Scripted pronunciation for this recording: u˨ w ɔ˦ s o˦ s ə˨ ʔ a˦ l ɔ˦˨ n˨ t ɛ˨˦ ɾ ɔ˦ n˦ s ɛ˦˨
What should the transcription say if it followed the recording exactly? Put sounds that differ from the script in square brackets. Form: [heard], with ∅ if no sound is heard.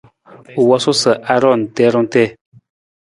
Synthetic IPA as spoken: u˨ w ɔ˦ s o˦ s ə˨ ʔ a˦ [ɾ] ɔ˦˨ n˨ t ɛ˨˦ ɾ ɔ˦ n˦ [t] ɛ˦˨